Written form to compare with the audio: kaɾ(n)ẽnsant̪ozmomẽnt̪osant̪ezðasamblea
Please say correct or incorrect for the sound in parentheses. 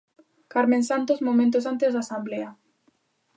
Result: incorrect